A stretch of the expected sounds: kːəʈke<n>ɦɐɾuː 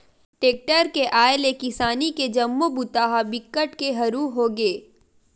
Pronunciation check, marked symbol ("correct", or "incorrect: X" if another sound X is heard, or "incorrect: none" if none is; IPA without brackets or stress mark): incorrect: none